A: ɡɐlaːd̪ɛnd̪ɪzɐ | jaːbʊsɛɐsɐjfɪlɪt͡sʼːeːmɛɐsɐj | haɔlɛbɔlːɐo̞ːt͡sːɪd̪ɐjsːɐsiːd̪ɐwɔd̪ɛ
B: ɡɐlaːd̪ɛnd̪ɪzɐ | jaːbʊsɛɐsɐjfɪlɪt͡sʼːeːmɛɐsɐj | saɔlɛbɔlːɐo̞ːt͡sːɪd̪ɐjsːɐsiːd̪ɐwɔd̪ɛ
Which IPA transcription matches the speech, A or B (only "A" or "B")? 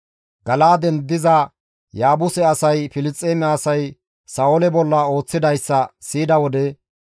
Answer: B